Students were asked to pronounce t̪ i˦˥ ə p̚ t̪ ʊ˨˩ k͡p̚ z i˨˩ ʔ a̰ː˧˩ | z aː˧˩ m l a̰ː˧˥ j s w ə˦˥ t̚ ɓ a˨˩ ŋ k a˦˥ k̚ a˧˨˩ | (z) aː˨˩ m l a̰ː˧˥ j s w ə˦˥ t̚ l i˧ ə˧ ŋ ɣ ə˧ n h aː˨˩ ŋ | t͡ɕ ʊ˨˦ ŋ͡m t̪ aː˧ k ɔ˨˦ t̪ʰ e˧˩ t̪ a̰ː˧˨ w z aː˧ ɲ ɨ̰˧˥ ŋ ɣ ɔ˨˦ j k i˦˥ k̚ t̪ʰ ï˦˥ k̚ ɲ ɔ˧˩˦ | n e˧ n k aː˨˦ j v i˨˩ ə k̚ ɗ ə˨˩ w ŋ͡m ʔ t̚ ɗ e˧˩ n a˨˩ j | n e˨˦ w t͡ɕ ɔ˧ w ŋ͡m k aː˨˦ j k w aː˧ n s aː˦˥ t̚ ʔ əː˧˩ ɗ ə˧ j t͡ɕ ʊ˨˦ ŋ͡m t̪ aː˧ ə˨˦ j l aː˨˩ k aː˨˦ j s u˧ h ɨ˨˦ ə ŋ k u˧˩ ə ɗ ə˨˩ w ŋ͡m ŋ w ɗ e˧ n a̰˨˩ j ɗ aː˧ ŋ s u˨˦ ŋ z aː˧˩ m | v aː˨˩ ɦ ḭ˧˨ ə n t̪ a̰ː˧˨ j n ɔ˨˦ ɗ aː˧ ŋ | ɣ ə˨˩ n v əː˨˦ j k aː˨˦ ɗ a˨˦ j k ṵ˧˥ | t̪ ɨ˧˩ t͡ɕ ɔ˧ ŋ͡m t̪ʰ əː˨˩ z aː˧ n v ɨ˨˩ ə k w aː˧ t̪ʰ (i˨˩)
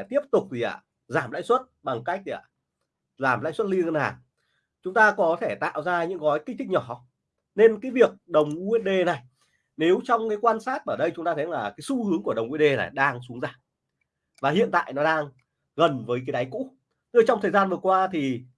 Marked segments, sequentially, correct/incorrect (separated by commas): correct, correct